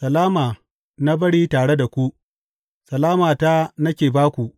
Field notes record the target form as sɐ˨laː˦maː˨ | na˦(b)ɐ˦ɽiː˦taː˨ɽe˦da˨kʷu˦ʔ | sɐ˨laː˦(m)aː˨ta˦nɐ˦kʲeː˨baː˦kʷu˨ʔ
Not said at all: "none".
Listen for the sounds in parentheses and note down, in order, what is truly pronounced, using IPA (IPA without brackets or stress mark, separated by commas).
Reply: b, m